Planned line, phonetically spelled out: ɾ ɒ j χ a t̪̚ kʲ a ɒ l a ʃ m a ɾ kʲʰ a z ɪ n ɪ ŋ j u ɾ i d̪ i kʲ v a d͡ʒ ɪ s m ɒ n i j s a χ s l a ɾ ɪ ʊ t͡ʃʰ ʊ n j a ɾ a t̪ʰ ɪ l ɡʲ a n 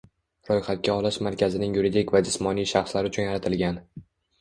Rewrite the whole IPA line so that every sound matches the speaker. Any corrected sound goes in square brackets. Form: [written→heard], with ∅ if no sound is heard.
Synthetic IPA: ɾ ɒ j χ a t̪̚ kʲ a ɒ l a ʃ m a ɾ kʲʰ a z ɪ n ɪ ŋ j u ɾ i d̪ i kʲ v a d͡ʒ ɪ s m ɒ n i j [s→ʃ] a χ s l a ɾ ɪ ʊ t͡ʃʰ ʊ n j a ɾ a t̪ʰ ɪ l ɡʲ a n